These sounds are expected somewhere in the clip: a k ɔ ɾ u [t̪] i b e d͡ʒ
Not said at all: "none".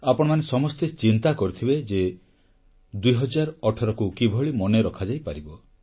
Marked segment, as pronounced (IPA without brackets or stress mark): t̪ʰ